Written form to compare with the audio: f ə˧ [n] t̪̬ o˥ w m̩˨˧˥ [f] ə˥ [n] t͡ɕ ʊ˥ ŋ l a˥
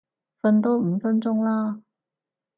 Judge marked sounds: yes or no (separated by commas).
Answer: yes, yes, yes